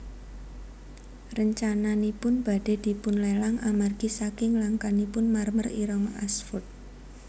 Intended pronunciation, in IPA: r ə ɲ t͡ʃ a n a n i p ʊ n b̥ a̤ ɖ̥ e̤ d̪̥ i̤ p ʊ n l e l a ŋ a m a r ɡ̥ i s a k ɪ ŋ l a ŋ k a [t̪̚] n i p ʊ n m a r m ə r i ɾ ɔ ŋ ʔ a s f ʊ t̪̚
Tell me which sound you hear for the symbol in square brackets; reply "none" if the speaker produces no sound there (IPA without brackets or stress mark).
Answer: none